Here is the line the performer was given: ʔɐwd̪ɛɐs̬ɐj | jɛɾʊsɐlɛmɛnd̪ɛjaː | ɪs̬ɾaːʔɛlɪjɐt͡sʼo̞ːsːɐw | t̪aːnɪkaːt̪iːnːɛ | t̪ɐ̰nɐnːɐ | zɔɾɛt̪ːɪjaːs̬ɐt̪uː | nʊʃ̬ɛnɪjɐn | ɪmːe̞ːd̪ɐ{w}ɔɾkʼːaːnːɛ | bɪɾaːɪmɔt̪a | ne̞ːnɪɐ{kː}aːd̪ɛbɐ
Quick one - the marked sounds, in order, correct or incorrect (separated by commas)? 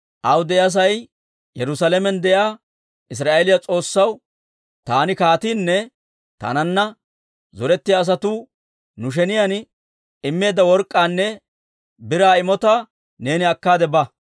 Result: correct, correct